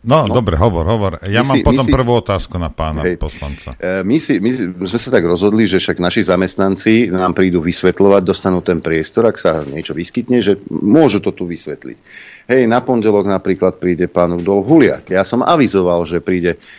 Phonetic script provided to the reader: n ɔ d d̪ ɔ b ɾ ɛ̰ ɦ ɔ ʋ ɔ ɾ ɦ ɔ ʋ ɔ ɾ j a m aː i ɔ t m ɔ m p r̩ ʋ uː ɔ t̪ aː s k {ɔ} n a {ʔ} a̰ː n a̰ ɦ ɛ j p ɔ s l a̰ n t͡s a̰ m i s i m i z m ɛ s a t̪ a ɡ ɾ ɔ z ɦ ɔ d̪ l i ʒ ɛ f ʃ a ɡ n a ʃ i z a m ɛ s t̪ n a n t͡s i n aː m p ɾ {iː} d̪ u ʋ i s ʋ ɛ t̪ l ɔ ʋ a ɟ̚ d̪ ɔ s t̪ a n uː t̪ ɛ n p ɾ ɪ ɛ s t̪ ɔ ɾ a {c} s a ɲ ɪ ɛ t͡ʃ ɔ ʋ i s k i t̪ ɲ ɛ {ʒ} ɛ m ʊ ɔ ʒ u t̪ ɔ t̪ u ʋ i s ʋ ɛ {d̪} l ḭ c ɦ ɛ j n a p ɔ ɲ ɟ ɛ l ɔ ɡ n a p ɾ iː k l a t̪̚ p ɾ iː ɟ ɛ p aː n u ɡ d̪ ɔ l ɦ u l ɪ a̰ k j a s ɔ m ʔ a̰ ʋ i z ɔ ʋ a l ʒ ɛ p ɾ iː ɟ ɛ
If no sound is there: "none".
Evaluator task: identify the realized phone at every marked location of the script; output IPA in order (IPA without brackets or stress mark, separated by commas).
u, p, iː, k, ʒ, t̪